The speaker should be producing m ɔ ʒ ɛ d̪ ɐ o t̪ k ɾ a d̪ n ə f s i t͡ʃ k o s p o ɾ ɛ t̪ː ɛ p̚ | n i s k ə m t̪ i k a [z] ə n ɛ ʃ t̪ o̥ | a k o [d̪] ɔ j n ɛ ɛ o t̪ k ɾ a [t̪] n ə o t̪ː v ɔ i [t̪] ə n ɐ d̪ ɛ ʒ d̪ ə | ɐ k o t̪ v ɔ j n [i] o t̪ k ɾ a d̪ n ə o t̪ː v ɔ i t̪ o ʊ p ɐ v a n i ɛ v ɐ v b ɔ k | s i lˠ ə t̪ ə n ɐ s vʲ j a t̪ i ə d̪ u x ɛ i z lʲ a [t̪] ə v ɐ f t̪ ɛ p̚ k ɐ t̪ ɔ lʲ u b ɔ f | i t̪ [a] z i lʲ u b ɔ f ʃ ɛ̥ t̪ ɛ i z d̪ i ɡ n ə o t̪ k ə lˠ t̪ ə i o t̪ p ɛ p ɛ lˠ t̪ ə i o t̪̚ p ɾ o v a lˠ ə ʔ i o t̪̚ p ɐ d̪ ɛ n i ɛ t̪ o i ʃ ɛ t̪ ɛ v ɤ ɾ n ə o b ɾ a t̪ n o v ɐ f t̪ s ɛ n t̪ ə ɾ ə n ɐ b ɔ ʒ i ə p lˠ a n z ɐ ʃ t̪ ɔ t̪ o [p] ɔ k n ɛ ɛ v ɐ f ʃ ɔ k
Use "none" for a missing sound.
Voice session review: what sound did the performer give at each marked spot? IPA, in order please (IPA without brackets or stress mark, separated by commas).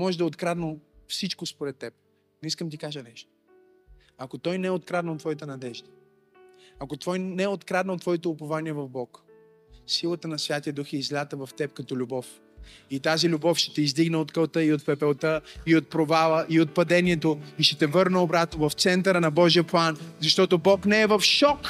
ʒ, t̪, d̪, t̪, ɛ, t̪, a, b